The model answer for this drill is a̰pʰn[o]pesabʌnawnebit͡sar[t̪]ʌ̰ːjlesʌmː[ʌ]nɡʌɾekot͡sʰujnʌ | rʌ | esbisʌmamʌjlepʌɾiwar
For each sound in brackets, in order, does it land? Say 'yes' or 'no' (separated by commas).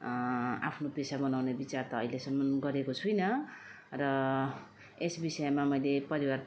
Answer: yes, yes, yes